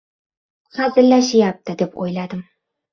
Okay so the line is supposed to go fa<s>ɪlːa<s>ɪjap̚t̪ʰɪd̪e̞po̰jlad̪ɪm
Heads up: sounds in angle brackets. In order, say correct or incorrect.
incorrect, incorrect

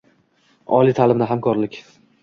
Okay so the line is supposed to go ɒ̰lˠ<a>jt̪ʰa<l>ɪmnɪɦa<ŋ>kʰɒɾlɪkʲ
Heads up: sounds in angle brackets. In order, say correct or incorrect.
incorrect, correct, incorrect

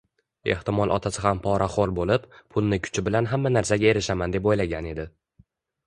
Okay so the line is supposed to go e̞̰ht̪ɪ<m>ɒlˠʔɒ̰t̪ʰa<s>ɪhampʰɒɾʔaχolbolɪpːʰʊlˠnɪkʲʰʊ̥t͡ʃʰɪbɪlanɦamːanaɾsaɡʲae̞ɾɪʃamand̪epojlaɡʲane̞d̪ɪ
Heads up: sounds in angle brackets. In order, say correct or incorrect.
correct, correct

